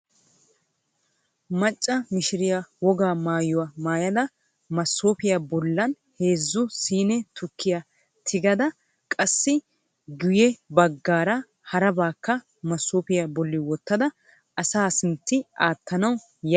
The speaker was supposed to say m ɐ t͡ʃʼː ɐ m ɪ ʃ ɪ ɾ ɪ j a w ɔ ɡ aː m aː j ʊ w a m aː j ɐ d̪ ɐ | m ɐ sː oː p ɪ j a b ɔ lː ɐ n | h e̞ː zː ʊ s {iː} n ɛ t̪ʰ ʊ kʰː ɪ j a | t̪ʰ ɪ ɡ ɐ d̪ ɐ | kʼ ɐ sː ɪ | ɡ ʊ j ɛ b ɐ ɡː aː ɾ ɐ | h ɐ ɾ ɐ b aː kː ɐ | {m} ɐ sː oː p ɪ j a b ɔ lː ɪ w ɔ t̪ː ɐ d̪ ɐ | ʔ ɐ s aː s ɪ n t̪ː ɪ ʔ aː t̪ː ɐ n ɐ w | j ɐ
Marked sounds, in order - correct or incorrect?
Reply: correct, correct

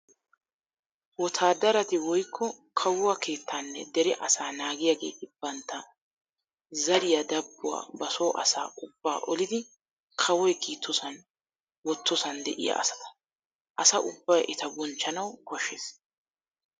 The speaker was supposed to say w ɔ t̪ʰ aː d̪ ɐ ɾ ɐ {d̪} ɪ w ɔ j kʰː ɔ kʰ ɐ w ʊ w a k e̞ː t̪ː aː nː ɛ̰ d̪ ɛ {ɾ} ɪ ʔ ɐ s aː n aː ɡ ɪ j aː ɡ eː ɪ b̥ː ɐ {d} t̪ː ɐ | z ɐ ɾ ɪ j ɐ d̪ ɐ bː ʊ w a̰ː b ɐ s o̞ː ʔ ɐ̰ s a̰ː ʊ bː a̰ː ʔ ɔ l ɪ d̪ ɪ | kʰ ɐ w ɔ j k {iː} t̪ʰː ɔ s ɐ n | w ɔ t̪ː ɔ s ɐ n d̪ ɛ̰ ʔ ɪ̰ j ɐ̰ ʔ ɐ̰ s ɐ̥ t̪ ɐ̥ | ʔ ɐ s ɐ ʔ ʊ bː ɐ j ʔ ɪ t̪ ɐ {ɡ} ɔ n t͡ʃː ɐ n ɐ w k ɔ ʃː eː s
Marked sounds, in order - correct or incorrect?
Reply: incorrect: t̪, correct, incorrect: n, correct, incorrect: b

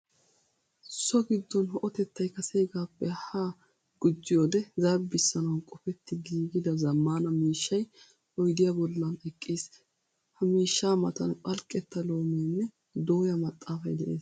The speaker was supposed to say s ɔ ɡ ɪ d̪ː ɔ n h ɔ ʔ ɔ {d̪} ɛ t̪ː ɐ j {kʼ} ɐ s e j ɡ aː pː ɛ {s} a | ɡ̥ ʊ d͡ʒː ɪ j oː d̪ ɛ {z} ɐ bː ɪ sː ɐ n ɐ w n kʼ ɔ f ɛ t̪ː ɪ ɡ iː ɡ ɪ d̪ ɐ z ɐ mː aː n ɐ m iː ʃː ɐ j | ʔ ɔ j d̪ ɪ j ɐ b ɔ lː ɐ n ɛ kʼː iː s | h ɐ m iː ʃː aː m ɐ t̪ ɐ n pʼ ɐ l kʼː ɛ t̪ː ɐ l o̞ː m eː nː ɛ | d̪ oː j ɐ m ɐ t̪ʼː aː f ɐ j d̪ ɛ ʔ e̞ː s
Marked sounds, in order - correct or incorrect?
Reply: incorrect: t̪, incorrect: k, incorrect: h, correct

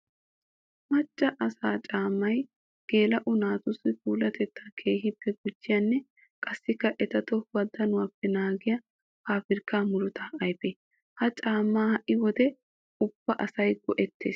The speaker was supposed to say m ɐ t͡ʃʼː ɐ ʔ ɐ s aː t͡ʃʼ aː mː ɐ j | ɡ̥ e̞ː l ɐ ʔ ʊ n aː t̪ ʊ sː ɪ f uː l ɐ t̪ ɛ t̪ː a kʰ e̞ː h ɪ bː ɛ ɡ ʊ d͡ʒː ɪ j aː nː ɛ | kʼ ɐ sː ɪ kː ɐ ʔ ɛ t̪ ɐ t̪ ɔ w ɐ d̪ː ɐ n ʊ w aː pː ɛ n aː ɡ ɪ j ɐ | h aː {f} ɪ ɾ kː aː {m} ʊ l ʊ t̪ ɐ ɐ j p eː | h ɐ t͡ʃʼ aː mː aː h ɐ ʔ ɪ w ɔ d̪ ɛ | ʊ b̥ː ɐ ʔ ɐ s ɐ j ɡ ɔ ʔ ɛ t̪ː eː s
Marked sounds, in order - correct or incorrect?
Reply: correct, correct

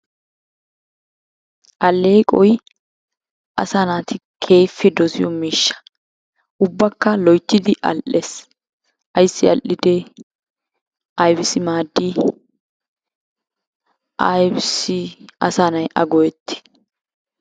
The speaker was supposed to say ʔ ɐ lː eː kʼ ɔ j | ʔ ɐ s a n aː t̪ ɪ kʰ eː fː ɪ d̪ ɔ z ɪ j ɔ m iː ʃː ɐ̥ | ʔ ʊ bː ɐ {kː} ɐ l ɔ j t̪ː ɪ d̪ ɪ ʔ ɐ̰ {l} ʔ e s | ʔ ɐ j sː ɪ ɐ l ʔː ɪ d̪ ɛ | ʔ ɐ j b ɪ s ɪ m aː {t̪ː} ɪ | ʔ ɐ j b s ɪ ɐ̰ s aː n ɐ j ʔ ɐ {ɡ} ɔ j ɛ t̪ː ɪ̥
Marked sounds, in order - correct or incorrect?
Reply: correct, correct, incorrect: d̪ː, correct

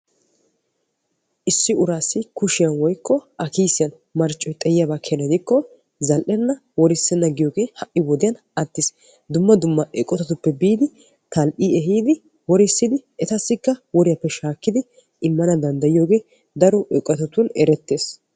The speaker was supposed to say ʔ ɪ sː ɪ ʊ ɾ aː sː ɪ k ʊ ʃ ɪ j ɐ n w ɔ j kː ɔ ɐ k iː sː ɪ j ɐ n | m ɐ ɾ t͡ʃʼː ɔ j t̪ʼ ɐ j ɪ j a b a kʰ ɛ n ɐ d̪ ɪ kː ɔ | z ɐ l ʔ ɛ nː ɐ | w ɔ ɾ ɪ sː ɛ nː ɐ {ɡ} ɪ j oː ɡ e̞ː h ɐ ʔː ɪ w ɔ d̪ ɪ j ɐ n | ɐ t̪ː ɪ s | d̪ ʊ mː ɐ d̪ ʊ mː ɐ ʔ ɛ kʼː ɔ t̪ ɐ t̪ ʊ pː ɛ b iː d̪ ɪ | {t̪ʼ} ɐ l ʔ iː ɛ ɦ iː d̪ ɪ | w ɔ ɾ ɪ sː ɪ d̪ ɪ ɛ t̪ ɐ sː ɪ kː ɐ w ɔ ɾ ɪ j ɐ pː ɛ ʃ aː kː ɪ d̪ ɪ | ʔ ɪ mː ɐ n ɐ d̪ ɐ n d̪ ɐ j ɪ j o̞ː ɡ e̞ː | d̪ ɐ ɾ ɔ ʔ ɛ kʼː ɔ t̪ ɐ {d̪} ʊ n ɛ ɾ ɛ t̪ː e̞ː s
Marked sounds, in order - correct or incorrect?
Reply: correct, incorrect: t̪, incorrect: t̪

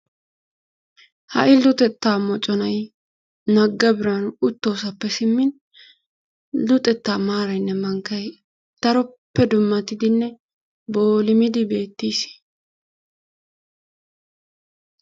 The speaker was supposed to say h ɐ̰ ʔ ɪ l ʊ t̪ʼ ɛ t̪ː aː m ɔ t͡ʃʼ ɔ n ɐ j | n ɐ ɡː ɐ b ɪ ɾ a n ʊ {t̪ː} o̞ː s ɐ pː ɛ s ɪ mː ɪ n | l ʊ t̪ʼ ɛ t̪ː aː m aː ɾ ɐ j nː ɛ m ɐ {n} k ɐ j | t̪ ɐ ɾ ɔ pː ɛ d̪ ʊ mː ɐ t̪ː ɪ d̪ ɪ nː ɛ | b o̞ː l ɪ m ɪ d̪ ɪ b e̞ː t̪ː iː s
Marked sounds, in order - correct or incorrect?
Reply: correct, incorrect: ŋ

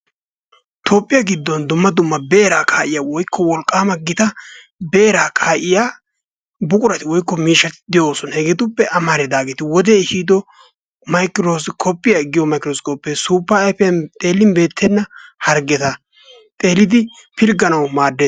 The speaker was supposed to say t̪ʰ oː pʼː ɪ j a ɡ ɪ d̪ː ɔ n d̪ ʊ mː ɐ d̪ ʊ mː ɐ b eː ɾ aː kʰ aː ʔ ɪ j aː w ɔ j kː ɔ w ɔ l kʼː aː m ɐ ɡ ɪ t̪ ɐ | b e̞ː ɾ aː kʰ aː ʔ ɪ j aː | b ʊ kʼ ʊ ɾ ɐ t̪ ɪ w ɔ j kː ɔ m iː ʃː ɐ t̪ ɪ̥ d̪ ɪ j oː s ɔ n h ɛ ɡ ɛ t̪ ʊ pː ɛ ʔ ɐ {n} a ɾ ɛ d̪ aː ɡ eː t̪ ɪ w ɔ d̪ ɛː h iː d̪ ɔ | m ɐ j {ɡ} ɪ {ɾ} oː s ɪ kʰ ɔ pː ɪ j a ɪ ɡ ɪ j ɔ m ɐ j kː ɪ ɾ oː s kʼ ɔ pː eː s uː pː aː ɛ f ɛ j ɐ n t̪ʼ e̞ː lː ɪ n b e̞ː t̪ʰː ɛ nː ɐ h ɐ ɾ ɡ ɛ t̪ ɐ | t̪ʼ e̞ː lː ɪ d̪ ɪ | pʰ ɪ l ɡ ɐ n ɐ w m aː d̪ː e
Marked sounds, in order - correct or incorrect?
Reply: incorrect: m, incorrect: k, correct

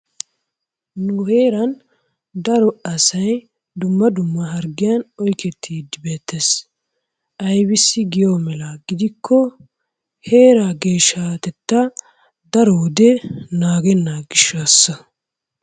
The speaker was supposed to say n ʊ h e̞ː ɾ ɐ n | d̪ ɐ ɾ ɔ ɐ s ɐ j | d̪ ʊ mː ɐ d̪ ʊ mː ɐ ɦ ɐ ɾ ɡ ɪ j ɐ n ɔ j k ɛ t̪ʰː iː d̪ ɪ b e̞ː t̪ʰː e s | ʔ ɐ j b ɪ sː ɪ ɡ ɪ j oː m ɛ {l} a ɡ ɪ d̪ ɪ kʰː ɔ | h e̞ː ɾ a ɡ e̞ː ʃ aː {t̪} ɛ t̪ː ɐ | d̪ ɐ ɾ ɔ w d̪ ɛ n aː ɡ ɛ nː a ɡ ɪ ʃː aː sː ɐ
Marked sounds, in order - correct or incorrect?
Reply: correct, correct

